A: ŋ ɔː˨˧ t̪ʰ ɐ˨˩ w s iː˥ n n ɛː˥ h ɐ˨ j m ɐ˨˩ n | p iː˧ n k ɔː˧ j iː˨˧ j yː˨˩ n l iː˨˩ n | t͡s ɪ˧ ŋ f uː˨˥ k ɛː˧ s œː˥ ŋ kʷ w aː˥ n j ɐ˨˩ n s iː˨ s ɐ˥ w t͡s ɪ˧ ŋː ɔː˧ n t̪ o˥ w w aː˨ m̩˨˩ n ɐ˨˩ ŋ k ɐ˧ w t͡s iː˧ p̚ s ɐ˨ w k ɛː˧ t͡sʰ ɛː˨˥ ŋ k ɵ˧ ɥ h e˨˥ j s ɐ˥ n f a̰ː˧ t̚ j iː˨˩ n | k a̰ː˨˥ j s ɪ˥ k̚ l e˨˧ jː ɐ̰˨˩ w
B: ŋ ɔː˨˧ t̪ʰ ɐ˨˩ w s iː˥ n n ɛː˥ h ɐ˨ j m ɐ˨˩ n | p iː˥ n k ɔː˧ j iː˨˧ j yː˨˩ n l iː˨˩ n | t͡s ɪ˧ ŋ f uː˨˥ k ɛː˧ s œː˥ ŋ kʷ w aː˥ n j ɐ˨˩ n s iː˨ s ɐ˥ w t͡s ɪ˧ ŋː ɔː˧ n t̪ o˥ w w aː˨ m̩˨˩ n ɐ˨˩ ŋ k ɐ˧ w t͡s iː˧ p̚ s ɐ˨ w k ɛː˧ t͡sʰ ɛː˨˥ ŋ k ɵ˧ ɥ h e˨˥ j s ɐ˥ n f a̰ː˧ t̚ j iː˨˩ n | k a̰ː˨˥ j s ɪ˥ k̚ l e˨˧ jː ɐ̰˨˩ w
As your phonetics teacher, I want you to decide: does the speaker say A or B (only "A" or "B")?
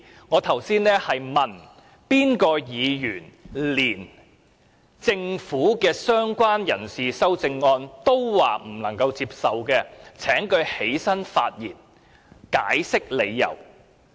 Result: B